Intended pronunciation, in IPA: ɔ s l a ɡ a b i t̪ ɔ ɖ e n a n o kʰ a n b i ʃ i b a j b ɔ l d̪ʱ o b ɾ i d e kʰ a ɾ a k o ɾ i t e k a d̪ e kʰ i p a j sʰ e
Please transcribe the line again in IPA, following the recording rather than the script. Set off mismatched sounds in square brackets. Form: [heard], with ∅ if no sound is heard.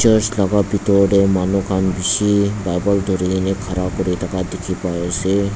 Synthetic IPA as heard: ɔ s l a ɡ a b i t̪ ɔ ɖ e [m] a n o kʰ a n b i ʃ i b a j b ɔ l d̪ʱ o [∅] ɾ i [n] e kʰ a ɾ a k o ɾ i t [a] k a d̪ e kʰ i p a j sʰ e

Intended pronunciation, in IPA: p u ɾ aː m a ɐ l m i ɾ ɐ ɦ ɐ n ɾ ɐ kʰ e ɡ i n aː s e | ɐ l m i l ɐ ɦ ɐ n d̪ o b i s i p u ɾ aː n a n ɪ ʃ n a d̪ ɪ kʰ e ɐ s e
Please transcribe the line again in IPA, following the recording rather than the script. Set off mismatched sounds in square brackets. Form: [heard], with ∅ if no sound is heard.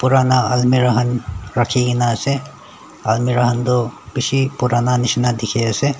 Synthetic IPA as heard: p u ɾ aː [n] a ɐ l m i ɾ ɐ ɦ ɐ n ɾ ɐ kʰ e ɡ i n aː s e | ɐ l m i [ɾ] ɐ ɦ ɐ n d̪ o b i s i p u ɾ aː n a n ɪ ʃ n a d̪ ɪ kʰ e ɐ s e

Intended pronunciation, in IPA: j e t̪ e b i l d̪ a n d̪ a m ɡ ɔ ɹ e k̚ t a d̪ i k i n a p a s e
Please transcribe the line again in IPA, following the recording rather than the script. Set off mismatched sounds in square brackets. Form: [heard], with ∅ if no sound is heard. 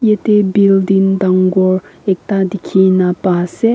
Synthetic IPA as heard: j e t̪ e b i l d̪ [i] n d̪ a [ŋ] ɡ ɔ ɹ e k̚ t a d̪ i [kʰ] i n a p a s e

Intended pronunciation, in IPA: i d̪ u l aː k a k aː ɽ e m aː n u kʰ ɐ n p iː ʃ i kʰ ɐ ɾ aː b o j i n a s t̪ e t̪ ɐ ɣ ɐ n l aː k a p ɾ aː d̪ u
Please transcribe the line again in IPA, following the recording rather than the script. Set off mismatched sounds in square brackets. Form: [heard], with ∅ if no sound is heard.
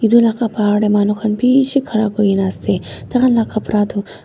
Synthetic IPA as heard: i d̪ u l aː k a [p] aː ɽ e m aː n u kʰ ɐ n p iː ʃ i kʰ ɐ ɾ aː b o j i n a s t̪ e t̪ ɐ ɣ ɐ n l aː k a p ɾ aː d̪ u

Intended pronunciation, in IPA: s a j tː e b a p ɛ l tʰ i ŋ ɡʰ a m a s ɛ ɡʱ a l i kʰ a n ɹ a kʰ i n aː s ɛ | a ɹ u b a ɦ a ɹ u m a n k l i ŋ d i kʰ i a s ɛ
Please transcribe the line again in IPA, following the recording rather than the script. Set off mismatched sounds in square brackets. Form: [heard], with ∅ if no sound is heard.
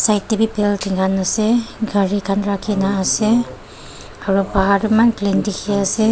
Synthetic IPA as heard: s a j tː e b [i] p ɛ l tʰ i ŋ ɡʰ a [n] a s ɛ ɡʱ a [ɹ] i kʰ a n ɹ a kʰ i n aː s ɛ | a ɹ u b a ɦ a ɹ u m a n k l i [n] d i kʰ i a s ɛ

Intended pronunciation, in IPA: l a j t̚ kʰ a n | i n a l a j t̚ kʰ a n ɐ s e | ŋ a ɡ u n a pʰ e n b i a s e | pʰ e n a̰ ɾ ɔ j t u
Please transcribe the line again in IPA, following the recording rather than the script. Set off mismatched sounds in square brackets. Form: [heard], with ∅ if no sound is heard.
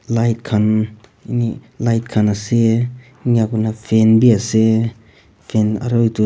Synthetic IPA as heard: l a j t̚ kʰ a n | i n [i] l a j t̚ kʰ a n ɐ s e | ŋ a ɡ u n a pʰ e n b i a s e | pʰ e n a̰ ɾ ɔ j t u

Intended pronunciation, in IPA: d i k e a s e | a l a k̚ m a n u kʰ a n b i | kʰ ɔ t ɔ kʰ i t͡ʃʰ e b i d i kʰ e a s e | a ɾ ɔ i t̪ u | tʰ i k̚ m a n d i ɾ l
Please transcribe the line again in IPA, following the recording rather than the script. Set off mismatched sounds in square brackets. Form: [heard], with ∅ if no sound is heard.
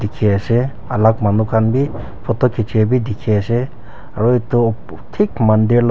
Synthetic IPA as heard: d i [kʰ] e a s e | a l a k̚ m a n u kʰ a n b i | [pʰ] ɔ t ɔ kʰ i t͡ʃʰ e b i d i kʰ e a s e | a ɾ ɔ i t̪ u | tʰ i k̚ m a n d i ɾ l

